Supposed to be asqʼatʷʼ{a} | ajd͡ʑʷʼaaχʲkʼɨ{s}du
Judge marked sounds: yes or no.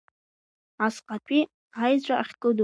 no, no

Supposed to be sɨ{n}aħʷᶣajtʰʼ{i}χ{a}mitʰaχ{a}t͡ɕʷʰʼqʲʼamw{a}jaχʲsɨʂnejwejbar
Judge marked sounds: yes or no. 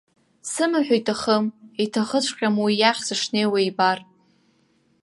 no, no, no, no, no

